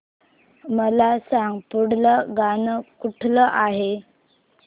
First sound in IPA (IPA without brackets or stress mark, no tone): m